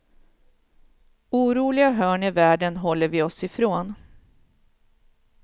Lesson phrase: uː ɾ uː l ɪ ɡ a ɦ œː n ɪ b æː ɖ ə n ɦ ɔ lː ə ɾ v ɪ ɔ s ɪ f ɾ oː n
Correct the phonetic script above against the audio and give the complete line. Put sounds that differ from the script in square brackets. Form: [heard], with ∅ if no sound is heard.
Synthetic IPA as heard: uː ɾ uː l ɪ ɡ a ɦ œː [ɳ] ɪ [v] æː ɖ ə n ɦ ɔ lː ə ɾ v ɪ ɔ s ɪ f ɾ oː n